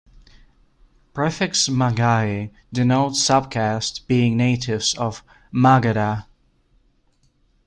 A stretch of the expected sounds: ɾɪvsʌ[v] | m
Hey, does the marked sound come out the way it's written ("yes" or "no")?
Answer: yes